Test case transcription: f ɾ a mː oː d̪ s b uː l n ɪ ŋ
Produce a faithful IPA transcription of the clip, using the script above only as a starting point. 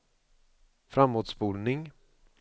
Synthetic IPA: f ɾ a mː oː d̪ s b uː l n ɪ ŋ